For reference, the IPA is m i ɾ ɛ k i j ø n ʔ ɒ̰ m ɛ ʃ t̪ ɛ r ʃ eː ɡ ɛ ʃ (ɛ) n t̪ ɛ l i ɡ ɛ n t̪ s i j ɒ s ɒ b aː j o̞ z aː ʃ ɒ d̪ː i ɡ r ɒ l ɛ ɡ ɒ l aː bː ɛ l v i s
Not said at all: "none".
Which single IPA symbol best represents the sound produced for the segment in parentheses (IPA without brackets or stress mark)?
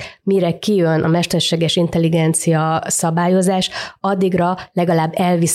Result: i